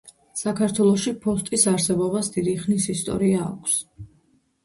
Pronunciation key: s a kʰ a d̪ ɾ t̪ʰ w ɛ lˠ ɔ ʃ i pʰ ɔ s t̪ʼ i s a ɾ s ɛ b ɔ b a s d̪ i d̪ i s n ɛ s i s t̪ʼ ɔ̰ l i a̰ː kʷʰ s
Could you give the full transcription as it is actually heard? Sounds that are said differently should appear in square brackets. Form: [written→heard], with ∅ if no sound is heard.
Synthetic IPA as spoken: s a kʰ a [d̪→∅] ɾ t̪ʰ w ɛ lˠ ɔ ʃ i pʰ ɔ s t̪ʼ i s a ɾ s ɛ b ɔ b a s d̪ i d̪ i [s→χ] n [ɛ→i] s i s t̪ʼ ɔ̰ [l→ɾ] i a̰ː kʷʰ s